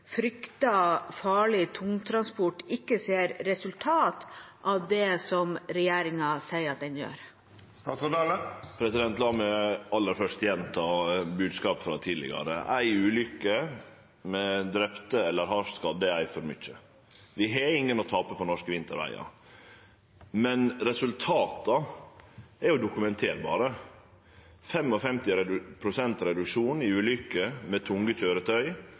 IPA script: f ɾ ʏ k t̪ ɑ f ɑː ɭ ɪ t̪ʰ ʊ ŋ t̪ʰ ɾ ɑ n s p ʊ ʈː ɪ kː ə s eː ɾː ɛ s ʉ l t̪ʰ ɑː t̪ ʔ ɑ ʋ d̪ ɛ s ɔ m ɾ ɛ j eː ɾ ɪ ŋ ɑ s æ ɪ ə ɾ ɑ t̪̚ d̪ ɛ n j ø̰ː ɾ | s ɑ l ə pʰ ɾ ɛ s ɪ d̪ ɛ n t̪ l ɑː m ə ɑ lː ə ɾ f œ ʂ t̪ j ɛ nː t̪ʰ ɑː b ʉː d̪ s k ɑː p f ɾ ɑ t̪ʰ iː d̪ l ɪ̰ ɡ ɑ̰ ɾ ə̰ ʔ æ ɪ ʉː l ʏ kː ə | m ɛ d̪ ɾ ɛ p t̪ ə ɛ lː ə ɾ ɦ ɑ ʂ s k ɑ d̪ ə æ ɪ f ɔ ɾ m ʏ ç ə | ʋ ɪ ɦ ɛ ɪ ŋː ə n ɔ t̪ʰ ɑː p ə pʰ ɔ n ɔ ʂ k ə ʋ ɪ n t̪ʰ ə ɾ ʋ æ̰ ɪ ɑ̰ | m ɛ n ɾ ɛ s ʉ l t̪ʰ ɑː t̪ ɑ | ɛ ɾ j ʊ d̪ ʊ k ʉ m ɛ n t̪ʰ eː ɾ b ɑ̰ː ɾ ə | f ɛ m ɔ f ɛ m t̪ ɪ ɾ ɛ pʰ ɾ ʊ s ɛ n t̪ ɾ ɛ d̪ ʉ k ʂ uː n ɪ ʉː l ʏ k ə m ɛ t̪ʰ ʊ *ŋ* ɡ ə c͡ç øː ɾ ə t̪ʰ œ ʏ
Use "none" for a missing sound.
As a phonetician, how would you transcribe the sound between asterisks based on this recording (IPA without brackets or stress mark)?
ŋ